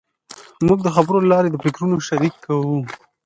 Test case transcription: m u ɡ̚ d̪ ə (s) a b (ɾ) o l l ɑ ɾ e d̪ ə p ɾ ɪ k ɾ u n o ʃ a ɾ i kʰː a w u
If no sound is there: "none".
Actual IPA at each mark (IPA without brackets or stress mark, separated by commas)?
x, ɾ